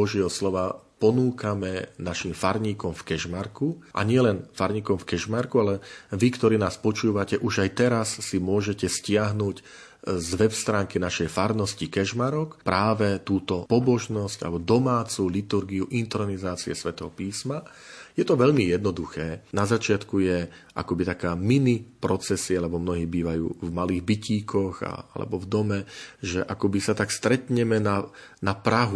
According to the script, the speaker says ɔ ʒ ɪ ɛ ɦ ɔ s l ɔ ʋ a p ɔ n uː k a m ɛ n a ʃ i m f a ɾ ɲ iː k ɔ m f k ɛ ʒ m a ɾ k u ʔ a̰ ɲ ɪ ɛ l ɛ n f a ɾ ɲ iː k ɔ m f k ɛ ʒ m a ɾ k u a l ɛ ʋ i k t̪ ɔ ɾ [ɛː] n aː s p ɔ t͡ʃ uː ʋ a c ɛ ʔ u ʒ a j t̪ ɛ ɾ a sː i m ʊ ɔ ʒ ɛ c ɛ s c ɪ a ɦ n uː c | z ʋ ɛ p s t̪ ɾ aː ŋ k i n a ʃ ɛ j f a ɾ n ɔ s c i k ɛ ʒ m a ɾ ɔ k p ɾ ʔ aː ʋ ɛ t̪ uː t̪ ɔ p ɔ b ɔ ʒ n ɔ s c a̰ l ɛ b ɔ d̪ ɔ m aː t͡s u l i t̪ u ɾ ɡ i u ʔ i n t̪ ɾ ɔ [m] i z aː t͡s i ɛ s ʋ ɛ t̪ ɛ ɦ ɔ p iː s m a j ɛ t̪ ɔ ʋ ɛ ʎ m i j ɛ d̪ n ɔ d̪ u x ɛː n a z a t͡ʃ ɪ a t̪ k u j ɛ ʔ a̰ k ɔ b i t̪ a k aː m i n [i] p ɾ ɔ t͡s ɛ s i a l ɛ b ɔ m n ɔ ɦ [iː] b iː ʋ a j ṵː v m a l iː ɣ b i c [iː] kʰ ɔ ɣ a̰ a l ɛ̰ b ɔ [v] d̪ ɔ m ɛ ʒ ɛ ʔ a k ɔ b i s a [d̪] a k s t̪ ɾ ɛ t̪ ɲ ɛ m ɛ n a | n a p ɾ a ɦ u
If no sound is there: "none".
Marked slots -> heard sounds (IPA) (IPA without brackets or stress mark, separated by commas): iː, n, i, iː, iː, v, t̪